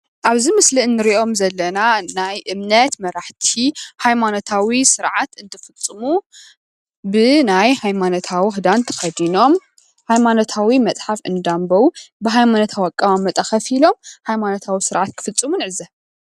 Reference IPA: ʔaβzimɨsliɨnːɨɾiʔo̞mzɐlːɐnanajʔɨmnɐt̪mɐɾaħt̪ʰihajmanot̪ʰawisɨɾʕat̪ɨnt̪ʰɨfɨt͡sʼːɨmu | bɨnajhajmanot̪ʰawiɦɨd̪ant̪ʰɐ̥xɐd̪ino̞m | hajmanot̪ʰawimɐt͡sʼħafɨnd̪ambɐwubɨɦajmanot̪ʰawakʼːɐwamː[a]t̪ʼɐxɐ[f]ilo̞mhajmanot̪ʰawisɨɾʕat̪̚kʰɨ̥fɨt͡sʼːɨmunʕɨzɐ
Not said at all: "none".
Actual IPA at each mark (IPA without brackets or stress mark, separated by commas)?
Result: ɐ, f